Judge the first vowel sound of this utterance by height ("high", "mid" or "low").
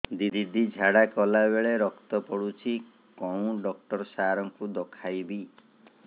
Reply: high